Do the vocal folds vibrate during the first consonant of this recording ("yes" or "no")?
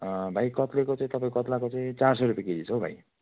yes